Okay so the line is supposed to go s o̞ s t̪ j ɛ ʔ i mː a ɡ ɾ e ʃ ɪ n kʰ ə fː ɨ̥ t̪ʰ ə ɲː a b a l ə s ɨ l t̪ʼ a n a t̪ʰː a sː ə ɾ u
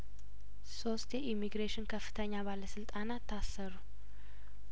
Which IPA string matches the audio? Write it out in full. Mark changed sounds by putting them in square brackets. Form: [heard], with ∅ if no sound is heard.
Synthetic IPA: s o̞ s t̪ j ɛ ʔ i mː [i] ɡ ɾ e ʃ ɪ n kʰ ə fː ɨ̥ t̪ʰ ə ɲː a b a l ə s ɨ l t̪ʼ a n a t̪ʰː a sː ə ɾ u